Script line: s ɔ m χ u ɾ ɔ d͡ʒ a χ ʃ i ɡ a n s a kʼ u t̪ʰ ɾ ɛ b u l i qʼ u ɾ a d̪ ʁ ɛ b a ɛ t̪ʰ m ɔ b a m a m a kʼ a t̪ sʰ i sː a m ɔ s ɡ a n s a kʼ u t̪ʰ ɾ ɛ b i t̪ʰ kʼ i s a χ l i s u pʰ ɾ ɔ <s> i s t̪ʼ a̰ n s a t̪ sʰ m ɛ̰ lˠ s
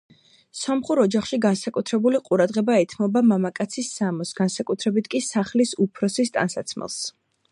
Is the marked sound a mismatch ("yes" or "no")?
no